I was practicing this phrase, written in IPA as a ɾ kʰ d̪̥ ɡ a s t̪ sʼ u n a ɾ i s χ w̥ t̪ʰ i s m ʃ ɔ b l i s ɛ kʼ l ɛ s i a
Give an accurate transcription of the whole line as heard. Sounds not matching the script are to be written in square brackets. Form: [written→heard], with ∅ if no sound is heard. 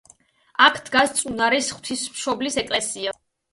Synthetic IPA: a [ɾ→∅] kʰ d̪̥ ɡ a s t̪ sʼ u n a ɾ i s χ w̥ t̪ʰ i s m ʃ ɔ b l i s ɛ kʼ l ɛ s i a